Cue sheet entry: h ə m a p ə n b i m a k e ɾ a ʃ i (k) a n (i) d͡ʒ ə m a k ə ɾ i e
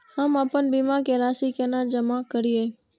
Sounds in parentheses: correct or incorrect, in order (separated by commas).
correct, incorrect